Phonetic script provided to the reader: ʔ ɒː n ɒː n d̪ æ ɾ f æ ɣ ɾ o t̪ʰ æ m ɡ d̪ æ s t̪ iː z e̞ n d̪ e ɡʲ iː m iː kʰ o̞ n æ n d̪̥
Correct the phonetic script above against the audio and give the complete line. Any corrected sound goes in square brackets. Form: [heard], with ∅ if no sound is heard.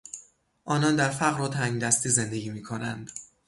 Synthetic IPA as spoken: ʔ ɒː n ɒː n d̪ æ ɾ f æ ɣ ɾ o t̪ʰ æ [ŋ] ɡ d̪ æ s t̪ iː z e̞ n d̪ e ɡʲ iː m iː kʰ o̞ n æ n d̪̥